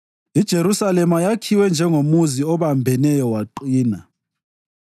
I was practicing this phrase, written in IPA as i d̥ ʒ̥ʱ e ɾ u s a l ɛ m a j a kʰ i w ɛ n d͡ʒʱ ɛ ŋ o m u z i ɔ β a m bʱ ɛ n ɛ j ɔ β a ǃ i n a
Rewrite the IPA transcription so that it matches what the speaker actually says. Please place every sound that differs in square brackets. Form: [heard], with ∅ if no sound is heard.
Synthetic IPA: i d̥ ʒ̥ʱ e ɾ u s a l ɛ m a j a kʰ i w ɛ n d͡ʒʱ ɛ ŋ o m u z i ɔ β a m bʱ ɛ n ɛ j ɔ [w] a ǃ [iː] n a